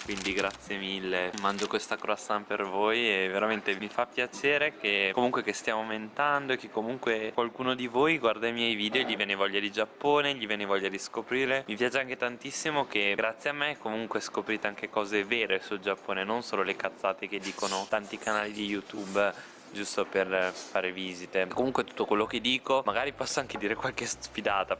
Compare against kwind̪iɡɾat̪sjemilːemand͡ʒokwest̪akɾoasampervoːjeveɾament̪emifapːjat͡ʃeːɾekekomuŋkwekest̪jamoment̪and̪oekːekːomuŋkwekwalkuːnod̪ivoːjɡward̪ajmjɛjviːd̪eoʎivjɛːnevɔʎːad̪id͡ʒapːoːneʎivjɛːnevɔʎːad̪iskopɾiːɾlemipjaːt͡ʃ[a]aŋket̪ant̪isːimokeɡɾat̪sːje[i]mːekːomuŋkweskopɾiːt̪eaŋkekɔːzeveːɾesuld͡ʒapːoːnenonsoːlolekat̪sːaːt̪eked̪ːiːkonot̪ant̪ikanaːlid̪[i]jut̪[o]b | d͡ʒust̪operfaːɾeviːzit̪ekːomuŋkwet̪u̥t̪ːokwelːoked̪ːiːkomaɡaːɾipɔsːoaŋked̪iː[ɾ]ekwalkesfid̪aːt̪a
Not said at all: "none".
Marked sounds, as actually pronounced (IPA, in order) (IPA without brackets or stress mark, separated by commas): e, a, i, u, ɾ